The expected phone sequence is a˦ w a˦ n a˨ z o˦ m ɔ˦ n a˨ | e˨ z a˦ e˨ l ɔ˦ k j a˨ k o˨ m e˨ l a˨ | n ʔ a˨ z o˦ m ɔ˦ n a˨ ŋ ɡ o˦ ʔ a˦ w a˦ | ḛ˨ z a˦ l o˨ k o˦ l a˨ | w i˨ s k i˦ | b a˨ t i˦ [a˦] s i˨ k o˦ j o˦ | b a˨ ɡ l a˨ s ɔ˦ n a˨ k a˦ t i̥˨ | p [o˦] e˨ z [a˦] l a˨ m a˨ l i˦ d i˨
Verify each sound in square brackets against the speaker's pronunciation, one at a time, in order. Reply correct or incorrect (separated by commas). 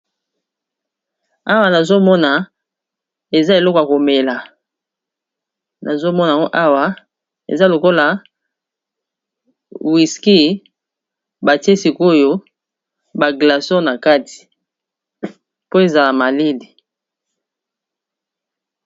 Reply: incorrect, correct, incorrect